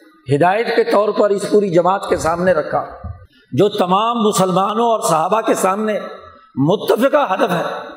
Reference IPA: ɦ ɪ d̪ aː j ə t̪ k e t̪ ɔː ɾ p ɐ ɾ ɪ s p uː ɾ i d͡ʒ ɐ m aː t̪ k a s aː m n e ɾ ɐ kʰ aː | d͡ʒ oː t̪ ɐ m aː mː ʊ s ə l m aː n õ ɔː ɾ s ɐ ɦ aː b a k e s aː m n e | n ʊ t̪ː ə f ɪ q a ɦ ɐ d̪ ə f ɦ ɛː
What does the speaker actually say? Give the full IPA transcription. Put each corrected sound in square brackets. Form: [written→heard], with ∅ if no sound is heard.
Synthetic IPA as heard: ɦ ɪ d̪ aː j ə t̪ k e t̪ ɔː ɾ p ɐ ɾ ɪ s p uː ɾ i d͡ʒ ɐ m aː t̪ k [a→e] s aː m n e ɾ ɐ kʰ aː | d͡ʒ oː t̪ ɐ m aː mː ʊ s ə l m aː n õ ɔː ɾ s ɐ ɦ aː b a k e s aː m n e | [n→m] ʊ t̪ː ə f ɪ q a ɦ ɐ d̪ ə f ɦ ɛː